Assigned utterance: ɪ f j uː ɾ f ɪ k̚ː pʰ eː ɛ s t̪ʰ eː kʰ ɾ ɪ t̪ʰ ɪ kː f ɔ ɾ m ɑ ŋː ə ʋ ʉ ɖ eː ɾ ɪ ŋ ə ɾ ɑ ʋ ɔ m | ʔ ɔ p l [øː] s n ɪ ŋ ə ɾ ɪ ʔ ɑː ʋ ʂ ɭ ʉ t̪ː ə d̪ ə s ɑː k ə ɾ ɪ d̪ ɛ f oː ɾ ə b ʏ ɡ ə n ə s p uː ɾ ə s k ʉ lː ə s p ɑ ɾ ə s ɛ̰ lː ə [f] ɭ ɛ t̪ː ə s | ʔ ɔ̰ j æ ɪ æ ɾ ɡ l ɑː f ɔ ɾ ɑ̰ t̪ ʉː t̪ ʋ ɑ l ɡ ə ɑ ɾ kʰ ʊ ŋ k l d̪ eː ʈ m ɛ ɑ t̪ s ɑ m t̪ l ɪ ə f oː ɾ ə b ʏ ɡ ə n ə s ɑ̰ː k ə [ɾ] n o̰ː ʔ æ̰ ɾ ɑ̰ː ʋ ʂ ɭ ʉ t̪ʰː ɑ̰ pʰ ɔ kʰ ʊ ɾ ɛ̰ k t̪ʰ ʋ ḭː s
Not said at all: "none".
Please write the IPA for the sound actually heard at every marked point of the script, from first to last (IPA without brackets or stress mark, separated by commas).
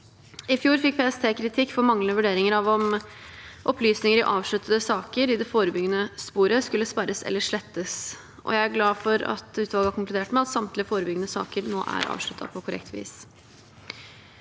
yː, ʂ, ɾ